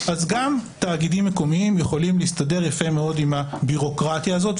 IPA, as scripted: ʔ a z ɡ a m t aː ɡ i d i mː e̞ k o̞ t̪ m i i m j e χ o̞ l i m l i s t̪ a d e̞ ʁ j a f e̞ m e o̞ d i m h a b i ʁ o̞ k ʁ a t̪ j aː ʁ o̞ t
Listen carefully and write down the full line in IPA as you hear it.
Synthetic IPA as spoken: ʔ a z ɡ a m t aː ɡ i d i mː e̞ k o̞ m i i m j e χ o̞ l i m l i s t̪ a d e̞ ʁ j a f e̞ m e o̞ d i m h a b i ʁ o̞ k ʁ a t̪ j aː z o̞ t